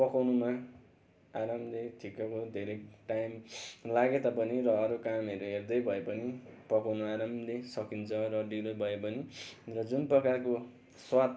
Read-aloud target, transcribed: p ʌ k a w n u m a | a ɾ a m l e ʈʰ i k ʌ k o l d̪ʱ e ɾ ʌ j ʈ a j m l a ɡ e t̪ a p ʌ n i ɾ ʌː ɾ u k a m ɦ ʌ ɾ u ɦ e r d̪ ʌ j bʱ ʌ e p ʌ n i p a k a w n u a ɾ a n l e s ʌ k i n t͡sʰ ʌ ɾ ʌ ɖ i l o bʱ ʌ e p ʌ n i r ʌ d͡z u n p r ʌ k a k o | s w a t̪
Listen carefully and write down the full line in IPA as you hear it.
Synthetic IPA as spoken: p ʌ k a w n u m a | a ɾ a m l e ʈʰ i k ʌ k o d̪ʱ e ɾ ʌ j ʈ a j m l a ɡ e t̪ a p ʌ n i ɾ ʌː ɾ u k a m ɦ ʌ ɾ u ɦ e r d̪ ʌ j bʱ ʌ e p ʌ n i p ʌ k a w n u a ɾ a m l e s ʌ k i n t͡sʰ ʌ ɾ ʌ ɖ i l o bʱ ʌ e p ʌ n i r ʌ d͡z u n p r ʌ k a k o | s w a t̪